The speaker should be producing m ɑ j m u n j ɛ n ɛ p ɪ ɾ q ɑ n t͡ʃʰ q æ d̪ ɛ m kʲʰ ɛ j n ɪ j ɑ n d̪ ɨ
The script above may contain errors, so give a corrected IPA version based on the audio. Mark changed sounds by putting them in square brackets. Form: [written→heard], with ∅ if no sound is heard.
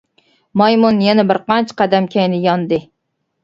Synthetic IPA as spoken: m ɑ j m u n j ɛ n ɛ [p→b] ɪ ɾ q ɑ n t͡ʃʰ q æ d̪ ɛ m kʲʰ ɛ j n ɪ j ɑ n d̪ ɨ